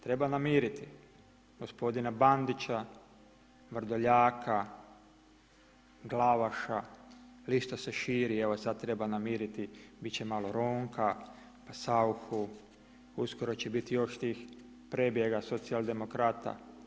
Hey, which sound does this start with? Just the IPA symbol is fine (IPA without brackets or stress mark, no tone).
t̪